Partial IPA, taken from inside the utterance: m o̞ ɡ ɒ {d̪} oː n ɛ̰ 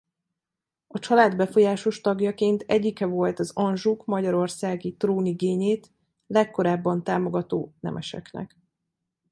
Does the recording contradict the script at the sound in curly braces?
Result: yes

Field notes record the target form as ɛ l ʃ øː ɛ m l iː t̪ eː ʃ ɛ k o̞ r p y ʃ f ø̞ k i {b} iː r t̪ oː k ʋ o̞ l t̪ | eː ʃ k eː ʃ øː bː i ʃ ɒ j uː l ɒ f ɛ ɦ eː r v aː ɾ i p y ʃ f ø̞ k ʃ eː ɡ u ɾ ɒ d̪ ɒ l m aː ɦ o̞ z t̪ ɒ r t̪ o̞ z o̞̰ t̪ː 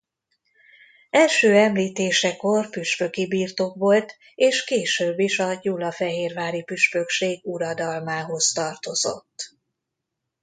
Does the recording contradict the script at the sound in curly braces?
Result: no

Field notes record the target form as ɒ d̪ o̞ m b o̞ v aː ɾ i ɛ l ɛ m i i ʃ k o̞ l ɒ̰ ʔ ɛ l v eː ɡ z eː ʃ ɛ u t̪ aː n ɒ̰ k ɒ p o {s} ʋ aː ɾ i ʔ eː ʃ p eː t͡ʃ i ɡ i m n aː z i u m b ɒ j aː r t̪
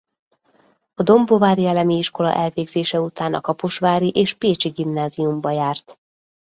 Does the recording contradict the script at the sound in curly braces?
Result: yes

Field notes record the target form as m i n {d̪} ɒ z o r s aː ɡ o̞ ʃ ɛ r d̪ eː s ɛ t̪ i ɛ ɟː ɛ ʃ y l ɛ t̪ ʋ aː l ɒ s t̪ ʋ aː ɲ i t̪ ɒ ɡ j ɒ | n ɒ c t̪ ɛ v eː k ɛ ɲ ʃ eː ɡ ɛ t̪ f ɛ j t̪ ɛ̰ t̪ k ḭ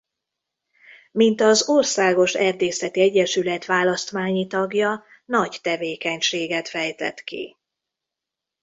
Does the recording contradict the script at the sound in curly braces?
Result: yes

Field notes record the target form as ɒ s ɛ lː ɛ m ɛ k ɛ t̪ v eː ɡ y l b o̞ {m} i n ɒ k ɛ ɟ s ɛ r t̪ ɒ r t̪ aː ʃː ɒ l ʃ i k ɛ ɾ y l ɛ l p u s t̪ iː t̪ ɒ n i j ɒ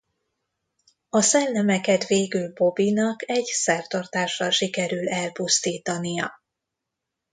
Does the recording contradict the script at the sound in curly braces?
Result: yes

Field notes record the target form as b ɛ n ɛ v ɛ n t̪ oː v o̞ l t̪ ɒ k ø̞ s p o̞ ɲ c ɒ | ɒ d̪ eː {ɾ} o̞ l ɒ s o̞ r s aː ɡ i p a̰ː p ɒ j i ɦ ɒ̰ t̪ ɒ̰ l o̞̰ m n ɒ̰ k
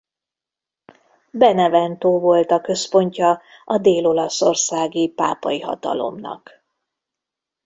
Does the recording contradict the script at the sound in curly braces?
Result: yes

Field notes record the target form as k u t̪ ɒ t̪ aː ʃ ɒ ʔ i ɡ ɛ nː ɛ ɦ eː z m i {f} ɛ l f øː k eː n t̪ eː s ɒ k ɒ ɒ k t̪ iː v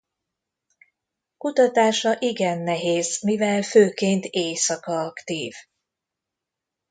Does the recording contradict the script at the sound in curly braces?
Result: yes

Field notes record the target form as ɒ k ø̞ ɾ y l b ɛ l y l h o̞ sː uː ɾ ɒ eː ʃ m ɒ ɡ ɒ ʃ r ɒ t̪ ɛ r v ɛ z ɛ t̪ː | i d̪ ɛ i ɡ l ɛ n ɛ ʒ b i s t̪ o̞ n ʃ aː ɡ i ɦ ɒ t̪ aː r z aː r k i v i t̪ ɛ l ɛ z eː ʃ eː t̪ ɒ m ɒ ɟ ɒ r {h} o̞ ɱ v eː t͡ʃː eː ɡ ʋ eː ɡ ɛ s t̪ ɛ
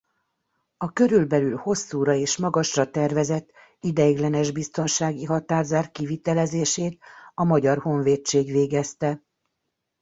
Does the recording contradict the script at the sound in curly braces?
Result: no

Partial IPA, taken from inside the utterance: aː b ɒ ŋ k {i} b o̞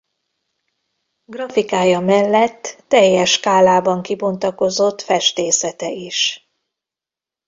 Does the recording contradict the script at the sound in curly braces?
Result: no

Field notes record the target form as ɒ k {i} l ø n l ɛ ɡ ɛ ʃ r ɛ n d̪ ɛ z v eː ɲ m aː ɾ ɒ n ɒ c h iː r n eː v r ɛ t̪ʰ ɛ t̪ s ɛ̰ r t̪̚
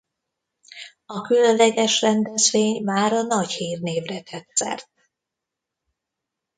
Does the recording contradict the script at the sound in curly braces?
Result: yes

